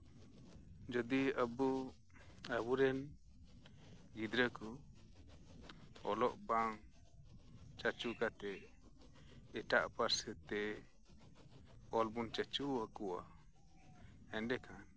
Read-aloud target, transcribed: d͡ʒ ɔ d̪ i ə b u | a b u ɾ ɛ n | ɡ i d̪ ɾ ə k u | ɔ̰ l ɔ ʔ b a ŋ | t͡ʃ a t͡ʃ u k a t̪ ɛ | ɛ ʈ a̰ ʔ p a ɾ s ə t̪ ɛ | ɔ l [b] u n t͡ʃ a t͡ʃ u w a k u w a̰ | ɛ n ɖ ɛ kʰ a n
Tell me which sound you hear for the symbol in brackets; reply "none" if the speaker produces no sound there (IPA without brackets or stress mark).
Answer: b